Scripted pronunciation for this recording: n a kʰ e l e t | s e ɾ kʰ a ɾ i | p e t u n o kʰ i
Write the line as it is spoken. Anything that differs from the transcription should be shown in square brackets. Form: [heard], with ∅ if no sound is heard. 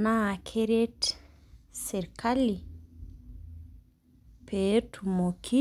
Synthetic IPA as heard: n a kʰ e [ɾ] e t | s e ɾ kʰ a [l] i | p e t u [m] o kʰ i